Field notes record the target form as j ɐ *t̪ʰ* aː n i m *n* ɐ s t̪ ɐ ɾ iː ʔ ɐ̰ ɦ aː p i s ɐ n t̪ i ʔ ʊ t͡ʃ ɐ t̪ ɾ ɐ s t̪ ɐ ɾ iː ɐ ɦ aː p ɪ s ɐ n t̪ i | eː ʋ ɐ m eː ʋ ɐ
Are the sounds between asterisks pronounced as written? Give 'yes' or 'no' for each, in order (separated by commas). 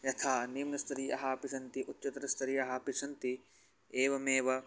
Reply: yes, yes